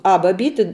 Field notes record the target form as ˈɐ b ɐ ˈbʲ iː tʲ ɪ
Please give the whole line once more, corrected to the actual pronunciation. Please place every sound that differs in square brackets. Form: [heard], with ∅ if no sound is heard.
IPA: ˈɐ b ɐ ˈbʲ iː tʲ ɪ

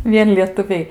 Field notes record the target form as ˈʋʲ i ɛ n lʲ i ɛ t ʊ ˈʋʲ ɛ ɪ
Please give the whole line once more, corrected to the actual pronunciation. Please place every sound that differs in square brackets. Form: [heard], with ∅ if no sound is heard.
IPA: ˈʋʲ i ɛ n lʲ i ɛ t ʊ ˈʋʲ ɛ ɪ

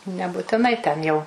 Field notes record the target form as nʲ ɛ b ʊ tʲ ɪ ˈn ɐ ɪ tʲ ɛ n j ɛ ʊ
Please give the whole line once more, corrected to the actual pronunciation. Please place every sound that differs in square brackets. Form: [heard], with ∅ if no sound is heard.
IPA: nʲ ɛ b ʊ tʲ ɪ ˈn ɐ ɪ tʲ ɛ n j ɛ ʊ

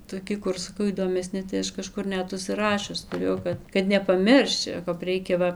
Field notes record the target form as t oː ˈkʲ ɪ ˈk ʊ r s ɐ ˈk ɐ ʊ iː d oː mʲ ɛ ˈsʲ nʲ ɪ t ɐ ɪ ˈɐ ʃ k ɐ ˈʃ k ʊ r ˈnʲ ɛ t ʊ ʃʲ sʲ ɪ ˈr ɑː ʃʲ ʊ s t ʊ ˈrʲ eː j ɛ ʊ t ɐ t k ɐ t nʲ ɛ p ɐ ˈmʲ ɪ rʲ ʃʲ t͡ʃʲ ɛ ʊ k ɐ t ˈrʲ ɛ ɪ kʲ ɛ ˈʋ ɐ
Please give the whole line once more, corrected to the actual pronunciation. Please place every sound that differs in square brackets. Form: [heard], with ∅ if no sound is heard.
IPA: t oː ˈkʲ ɪ ˈk ʊ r s ɐ ˈk ɐ ʊ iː d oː mʲ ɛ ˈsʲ nʲ ɪ t ɐ ɪ ˈɐ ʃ k ɐ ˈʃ k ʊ r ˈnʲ ɛ t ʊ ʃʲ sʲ ɪ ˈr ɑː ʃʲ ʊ s t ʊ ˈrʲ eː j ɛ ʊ [k] ɐ t k ɐ t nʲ ɛ p ɐ ˈmʲ ɪ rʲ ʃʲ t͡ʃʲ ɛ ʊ k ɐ [p] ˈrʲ ɛ ɪ kʲ ɛ ˈʋ ɐ

